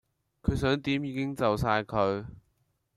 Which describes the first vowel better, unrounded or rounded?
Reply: rounded